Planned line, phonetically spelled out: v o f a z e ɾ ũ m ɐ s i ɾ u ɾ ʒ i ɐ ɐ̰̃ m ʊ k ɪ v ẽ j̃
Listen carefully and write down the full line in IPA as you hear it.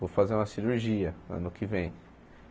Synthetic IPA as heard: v o f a z e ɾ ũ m ɐ s i ɾ u ɾ ʒ i ɐ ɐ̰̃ n ʊ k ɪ v ẽ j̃